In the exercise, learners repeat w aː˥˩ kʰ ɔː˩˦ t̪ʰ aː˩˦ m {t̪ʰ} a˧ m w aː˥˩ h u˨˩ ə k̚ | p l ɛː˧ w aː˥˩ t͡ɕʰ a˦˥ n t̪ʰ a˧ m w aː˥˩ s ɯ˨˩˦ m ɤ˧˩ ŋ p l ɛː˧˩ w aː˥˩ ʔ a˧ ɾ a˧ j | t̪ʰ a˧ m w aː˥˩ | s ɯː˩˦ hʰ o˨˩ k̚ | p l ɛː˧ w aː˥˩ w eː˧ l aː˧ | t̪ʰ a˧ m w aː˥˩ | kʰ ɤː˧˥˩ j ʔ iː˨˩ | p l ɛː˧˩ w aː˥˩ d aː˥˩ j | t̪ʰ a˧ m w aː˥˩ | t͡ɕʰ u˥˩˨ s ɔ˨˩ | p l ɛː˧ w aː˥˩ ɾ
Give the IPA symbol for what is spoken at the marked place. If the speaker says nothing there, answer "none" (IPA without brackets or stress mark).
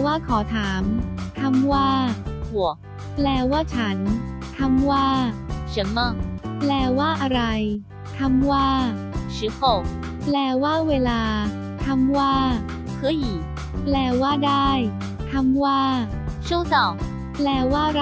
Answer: t̪ʰ